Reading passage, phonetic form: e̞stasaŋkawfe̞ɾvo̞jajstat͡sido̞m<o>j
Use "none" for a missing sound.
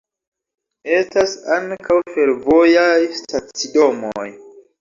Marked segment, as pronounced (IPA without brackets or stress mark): o